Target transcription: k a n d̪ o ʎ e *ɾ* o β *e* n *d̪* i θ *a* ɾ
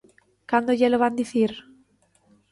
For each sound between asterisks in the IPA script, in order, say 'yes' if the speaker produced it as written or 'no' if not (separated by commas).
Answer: no, no, yes, no